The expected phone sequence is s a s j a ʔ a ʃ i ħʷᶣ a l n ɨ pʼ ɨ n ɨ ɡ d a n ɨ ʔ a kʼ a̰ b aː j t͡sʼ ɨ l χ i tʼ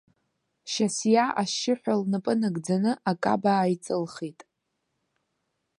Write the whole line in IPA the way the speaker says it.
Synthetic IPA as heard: ʃ a s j a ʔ a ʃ ɪ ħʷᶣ a l n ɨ pʼ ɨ n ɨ ɡ d͡z a n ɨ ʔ a kʼ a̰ b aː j t͡sʼ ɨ l χ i tʼ